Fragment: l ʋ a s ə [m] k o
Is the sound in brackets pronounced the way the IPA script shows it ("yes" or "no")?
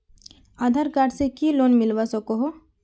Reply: no